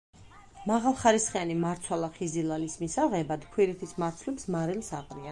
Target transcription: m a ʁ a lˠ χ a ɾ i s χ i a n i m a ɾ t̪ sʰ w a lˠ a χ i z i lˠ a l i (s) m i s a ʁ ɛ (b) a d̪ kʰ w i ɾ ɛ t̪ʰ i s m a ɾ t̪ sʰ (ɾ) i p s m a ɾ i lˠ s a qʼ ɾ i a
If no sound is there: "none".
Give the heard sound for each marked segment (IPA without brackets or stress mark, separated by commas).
s, b, l